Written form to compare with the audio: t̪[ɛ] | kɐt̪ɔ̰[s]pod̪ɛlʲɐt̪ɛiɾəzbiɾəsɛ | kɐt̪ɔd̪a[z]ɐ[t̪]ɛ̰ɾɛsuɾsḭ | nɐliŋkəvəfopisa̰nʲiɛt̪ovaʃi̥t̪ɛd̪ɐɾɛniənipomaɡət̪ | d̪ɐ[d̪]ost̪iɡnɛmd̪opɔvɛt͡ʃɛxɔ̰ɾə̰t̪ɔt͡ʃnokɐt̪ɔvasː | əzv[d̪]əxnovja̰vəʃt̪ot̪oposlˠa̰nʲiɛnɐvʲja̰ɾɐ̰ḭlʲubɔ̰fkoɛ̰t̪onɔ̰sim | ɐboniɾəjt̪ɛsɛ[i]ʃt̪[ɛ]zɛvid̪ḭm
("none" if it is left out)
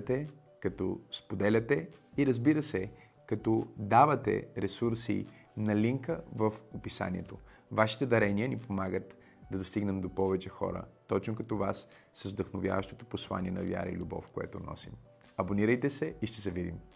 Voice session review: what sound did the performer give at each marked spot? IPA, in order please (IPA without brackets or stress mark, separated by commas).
ɛ, s, v, t̪, d̪, d̪, i, ɛ